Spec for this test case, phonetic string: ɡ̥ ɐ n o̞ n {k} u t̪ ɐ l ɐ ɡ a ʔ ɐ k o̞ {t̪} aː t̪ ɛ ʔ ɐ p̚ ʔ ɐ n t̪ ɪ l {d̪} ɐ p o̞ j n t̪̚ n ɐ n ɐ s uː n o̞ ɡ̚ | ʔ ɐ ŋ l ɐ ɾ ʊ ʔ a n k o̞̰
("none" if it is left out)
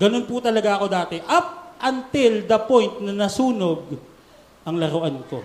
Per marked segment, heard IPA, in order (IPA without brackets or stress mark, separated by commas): p, d̪, d̪